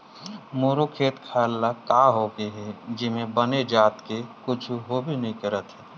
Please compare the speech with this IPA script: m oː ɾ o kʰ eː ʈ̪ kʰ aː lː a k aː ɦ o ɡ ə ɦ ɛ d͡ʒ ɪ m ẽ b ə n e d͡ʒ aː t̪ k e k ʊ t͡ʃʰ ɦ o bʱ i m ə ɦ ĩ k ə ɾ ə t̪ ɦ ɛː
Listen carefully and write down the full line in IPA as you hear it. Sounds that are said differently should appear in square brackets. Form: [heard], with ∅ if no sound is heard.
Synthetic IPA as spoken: m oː ɾ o kʰ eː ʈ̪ kʰ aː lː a k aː ɦ o ɡ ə ɦ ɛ d͡ʒ ɪ m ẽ b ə n e d͡ʒ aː t̪ k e k ʊ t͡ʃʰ ɦ o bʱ i [n] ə ɦ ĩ k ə ɾ ə t̪ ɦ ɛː